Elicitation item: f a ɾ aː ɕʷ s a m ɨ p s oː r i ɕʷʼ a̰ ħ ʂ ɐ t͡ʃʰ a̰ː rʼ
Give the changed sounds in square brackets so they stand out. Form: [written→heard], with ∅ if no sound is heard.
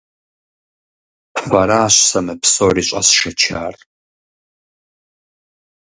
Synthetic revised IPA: f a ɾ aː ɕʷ s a m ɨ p s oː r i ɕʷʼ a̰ [ħ→s] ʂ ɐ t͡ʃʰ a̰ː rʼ